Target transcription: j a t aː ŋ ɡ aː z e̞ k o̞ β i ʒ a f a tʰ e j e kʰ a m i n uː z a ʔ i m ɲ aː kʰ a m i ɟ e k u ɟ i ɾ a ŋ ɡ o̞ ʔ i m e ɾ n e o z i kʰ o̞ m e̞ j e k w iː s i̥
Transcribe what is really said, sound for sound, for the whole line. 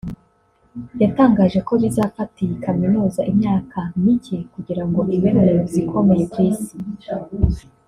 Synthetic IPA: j a t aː ŋ ɡ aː ʒ e̞ k o̞ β i z a f a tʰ i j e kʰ a m i n uː z a ʔ i m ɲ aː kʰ a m i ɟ e k u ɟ i ɾ a ŋ ɡ o̞ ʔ i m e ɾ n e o z i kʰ o̞ m e̞ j e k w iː s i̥